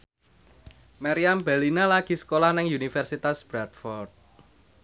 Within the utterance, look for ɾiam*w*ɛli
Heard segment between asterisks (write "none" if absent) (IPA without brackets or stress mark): b